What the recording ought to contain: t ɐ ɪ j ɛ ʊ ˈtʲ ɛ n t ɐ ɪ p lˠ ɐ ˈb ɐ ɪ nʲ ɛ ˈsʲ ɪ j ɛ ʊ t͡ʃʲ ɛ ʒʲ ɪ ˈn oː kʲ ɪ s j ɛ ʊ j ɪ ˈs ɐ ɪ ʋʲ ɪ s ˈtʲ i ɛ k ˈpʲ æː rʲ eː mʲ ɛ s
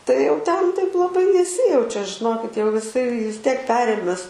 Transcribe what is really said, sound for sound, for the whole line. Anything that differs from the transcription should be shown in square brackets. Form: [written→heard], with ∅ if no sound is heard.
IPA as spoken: t ɐ ɪ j ɛ ʊ ˈtʲ ɛ n t ɐ ɪ p lˠ ɐ ˈb ɐ ɪ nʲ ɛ ˈsʲ ɪ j ɛ ʊ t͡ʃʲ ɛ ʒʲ ɪ ˈn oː kʲ ɪ [s→t] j ɛ ʊ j ɪ ˈs ɐ ɪ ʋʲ ɪ s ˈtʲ i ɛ k ˈpʲ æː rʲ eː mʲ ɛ s